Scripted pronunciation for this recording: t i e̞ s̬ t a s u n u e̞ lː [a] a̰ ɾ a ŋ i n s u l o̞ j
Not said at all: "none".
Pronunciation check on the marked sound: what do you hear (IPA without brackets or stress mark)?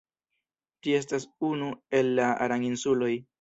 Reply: a